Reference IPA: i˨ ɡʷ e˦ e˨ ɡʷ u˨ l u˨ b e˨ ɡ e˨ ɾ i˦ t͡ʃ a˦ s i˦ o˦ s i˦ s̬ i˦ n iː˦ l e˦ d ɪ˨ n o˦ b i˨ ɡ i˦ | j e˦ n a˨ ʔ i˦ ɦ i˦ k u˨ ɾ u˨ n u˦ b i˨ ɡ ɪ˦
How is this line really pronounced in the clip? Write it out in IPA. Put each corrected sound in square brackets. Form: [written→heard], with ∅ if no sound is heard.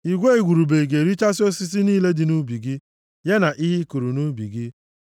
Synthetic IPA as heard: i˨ ɡʷ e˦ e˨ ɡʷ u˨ [l→ɾ] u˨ b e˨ ɡ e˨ ɾ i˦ t͡ʃ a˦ s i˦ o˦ s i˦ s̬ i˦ n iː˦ l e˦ d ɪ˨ n [o˦→u˦] b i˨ ɡ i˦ | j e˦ n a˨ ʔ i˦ ɦ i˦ k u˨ ɾ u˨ n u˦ b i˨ ɡ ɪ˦